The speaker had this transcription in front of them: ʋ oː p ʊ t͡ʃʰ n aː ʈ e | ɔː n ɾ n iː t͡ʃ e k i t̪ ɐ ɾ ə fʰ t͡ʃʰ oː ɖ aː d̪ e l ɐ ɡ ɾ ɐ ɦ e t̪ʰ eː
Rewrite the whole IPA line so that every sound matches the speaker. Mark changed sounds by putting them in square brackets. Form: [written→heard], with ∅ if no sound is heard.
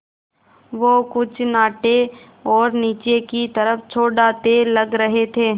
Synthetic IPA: ʋ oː [p→k] ʊ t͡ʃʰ n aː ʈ e | ɔː [n→∅] ɾ n iː t͡ʃ e k i t̪ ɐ ɾ ə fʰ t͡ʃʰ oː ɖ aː [d̪→t̪] e l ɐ ɡ ɾ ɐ ɦ e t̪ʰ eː